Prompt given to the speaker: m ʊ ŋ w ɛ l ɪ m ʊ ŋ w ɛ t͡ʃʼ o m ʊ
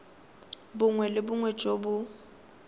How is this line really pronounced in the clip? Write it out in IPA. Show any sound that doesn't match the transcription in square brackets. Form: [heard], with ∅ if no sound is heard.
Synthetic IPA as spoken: [b] ʊ ŋ w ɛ l ɪ [b] ʊ ŋ w ɛ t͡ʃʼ o [b] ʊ